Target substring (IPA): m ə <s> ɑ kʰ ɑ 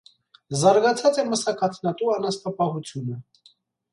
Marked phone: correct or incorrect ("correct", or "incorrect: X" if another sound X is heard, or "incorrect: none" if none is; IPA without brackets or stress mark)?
correct